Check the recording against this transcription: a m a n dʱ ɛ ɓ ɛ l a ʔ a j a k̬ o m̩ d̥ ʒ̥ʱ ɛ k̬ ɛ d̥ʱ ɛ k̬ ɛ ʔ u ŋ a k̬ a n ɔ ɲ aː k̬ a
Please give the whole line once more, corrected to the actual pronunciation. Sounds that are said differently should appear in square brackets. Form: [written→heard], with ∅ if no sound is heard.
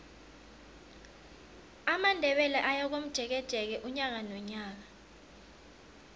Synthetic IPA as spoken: a m a n dʱ ɛ ɓ ɛ l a ʔ a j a k̬ o m̩ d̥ ʒ̥ʱ ɛ k̬ ɛ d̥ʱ ɛ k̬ ɛ ʔ u [ŋ→ɲ] a k̬ a n ɔ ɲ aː k̬ a